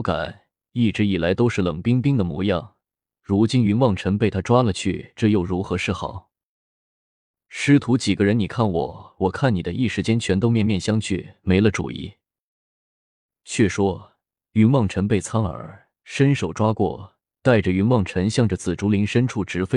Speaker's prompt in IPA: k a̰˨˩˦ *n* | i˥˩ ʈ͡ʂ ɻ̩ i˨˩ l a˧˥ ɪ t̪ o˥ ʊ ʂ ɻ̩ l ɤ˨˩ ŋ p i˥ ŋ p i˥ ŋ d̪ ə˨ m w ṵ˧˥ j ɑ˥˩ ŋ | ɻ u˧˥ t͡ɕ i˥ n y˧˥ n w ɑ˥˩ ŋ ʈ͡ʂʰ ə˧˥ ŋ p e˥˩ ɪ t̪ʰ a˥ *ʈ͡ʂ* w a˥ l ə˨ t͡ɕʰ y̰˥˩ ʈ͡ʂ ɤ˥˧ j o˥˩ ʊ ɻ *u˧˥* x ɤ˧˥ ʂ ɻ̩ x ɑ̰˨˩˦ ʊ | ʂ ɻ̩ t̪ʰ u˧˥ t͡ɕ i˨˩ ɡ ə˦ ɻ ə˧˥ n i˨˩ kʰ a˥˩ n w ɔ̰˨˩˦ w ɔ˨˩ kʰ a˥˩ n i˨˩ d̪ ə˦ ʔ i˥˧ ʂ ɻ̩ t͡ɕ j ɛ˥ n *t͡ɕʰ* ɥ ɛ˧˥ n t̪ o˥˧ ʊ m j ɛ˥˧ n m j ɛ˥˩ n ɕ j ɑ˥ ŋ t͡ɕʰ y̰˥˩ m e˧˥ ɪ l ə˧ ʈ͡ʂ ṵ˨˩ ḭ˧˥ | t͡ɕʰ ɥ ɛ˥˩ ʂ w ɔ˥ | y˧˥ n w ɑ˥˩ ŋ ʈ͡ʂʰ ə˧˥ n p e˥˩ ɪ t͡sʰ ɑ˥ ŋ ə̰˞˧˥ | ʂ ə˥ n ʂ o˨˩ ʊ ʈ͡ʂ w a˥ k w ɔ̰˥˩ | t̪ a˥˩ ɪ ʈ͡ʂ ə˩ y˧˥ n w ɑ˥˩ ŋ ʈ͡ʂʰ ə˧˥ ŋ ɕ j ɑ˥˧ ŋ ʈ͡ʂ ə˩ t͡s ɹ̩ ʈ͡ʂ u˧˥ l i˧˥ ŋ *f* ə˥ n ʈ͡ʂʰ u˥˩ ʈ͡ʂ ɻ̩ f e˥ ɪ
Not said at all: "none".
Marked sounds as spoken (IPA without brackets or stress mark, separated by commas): n, ʈ͡ʂ, u˧˥, t͡ɕʰ, ʂ